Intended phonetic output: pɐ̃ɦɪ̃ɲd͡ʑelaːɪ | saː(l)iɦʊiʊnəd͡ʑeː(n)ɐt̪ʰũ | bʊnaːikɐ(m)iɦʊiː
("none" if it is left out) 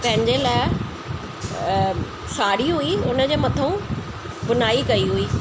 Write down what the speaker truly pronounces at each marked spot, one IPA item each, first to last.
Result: ɽ, m, none

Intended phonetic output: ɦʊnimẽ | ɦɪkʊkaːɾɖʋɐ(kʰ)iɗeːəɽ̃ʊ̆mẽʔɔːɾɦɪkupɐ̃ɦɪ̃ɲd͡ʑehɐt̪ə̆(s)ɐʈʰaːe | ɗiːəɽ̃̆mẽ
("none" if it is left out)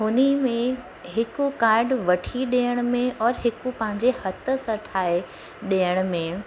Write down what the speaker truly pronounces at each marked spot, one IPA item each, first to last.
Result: ʈʰ, s

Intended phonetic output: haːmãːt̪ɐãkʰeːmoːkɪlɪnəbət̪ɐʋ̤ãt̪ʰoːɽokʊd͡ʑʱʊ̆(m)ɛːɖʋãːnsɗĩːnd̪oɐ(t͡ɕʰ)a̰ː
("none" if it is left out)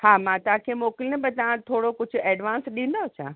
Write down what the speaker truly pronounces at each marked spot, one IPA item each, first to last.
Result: none, t͡ɕʰ

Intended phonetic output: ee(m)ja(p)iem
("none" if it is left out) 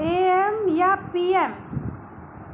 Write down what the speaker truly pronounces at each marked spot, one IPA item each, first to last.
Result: m, p

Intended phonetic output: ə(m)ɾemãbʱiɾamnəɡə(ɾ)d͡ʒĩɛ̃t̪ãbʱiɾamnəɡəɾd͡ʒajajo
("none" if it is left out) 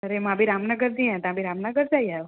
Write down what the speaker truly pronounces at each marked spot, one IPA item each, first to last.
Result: none, ɾ

